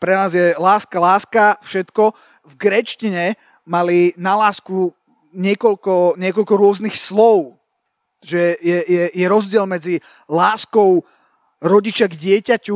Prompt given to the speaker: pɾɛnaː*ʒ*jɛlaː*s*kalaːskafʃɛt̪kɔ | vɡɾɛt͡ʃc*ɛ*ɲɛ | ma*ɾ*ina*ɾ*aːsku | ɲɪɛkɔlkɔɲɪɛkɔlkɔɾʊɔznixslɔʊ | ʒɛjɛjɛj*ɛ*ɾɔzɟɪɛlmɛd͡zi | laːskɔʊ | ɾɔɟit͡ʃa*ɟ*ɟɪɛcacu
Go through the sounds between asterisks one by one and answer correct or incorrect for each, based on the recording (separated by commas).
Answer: incorrect, correct, incorrect, incorrect, incorrect, correct, incorrect